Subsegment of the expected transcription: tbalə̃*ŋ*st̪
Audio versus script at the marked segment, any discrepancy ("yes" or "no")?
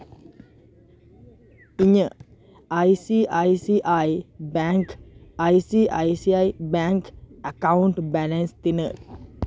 yes